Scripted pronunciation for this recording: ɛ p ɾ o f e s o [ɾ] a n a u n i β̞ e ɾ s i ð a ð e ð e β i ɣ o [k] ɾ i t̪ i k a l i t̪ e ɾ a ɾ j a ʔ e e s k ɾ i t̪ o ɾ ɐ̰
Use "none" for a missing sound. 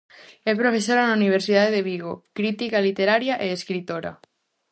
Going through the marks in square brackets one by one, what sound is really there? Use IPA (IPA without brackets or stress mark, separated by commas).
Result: ɾ, k